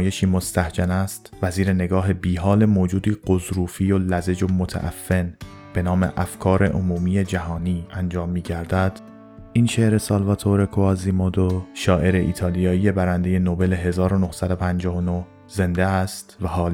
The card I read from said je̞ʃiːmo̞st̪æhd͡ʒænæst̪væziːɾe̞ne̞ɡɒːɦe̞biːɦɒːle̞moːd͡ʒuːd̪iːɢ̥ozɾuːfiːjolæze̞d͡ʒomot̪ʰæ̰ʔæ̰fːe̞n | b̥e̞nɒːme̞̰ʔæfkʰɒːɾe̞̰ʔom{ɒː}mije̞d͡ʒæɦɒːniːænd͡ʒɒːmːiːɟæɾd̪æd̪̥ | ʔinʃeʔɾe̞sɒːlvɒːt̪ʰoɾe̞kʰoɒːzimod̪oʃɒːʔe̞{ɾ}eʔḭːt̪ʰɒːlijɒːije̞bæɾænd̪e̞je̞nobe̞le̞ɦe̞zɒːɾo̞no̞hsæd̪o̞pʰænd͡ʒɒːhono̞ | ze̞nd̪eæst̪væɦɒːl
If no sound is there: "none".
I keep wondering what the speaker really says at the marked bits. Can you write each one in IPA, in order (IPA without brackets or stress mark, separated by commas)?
uː, ɾ